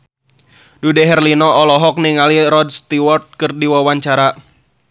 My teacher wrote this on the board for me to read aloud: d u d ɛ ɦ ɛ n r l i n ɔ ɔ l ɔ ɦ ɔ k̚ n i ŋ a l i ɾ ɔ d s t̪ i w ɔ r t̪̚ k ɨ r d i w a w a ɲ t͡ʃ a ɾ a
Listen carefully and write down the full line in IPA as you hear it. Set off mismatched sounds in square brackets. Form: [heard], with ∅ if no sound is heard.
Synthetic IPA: d u d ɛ ɦ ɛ [∅] r l i n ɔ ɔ l ɔ ɦ ɔ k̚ n i ŋ a l i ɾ ɔ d s t̪ i w ɔ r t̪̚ k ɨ r d i w a w a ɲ t͡ʃ a ɾ a